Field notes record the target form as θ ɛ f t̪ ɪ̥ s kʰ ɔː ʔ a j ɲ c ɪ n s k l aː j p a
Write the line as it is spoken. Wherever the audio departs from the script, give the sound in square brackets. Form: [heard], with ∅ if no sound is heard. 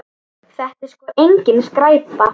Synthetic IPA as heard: θ ɛ [h] t̪ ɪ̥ s [k] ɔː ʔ [e] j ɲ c ɪ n s k [ɾ] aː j p a